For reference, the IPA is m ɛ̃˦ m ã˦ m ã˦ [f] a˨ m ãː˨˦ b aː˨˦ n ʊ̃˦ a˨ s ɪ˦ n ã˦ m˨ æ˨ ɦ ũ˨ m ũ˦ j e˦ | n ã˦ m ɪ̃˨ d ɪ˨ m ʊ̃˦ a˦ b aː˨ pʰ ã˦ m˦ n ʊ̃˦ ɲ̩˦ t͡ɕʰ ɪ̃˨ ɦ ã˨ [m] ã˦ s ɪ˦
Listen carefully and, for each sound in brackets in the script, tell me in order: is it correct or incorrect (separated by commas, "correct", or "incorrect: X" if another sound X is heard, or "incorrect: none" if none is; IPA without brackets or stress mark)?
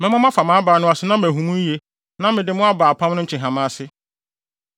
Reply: correct, correct